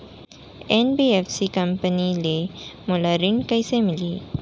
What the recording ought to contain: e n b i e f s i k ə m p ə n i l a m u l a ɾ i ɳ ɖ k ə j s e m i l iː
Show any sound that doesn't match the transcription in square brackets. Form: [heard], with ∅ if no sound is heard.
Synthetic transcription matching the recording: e n b i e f s i k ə m p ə n i l [e] m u l a ɾ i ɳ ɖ k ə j s e m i l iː